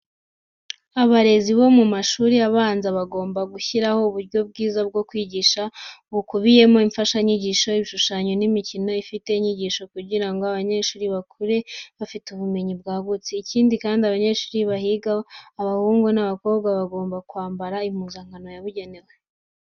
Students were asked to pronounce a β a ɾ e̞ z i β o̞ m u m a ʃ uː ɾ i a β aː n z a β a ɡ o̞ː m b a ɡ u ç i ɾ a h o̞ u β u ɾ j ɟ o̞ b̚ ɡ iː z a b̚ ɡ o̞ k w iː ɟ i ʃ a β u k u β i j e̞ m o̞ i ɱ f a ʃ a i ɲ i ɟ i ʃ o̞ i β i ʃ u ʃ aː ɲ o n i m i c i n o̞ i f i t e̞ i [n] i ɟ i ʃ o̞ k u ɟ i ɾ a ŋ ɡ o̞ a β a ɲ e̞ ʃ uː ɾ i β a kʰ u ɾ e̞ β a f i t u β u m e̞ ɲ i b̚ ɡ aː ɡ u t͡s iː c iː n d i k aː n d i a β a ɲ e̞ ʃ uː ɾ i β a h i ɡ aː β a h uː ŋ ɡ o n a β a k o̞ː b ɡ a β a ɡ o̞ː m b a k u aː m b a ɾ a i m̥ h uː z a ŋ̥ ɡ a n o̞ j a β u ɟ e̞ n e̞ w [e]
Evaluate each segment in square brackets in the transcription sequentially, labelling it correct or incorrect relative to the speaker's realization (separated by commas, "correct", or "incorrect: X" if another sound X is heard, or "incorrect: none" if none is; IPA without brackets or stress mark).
incorrect: ɲ, correct